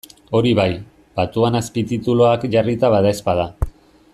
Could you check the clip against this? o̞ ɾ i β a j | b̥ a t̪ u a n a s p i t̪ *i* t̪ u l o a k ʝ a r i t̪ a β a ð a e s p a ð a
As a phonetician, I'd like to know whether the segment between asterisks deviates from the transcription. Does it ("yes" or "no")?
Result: no